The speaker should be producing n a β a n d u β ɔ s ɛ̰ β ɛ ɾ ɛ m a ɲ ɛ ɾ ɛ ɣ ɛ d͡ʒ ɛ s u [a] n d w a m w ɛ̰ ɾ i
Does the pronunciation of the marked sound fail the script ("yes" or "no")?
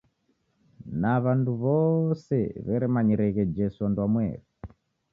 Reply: no